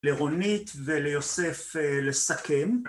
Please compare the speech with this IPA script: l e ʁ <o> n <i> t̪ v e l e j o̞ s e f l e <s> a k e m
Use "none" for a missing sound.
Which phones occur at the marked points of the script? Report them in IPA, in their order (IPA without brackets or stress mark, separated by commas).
o, i, s